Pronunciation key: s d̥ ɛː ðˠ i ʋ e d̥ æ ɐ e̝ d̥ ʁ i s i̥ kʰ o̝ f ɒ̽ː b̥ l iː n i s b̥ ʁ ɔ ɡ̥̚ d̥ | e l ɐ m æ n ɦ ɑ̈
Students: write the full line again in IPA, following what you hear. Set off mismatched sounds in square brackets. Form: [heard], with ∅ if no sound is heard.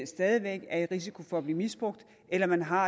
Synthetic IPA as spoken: s d̥ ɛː ðˠ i ʋ e [ɡ̥] æ ɐ e̝ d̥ ʁ i s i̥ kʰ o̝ f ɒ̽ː b̥ l iː [m] i s b̥ ʁ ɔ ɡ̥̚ d̥ | e l ɐ m æ n ɦ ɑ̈